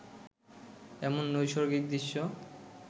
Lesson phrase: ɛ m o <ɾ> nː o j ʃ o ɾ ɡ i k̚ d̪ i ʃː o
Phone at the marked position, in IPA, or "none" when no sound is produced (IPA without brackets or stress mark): none